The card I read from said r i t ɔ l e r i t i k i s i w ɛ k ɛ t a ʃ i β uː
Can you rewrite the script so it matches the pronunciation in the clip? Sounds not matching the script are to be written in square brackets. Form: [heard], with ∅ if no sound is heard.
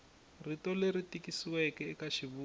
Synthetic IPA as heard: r i t ɔ l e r i t i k i s i w ɛ k ɛ [k] a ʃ i β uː